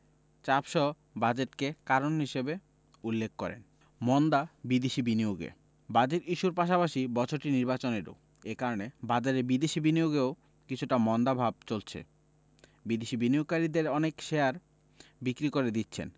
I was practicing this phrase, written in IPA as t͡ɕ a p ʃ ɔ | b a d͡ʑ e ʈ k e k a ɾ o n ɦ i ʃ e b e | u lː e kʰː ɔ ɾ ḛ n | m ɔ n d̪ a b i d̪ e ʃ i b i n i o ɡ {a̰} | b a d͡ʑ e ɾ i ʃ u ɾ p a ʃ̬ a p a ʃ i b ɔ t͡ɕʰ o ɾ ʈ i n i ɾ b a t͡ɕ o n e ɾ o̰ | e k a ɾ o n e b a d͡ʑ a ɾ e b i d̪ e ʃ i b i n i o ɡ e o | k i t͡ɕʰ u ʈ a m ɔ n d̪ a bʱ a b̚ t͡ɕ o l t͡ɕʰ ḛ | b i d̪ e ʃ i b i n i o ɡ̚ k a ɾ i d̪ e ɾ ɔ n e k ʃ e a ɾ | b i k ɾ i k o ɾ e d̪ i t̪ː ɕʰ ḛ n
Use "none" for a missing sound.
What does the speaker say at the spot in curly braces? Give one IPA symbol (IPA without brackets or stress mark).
ḛ